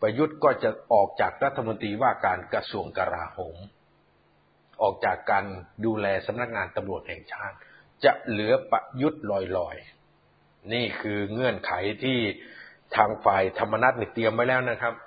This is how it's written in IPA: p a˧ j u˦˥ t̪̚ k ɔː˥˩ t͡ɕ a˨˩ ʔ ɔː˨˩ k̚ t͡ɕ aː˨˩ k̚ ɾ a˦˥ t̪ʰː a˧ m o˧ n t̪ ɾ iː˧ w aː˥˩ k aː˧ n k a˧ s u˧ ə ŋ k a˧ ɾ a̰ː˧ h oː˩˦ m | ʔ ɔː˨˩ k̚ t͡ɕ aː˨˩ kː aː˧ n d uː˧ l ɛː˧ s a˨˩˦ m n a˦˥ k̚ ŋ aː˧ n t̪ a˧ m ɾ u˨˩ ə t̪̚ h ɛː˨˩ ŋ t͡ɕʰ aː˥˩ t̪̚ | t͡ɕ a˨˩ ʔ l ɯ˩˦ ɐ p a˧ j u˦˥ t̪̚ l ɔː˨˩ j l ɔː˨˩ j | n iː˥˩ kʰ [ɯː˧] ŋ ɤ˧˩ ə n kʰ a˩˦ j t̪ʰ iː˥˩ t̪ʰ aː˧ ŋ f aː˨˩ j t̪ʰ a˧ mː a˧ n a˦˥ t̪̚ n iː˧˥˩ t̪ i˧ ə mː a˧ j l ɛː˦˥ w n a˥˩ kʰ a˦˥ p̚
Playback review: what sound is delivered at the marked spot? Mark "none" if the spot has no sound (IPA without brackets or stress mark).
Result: ɯː˧